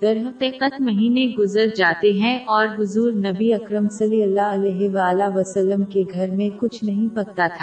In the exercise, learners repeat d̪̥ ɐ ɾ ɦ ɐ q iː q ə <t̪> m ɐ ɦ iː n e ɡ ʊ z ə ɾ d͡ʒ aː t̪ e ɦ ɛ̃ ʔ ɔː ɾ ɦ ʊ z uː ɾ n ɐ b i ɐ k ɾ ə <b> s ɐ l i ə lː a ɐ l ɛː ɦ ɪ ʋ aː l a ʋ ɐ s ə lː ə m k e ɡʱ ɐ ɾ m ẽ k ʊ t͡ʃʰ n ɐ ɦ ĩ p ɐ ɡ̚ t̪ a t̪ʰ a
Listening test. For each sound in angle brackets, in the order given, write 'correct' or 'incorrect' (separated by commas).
correct, incorrect